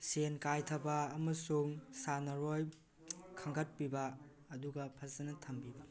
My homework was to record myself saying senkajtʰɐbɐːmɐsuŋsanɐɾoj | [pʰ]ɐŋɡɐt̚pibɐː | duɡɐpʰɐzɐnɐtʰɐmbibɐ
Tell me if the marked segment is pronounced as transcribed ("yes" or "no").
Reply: no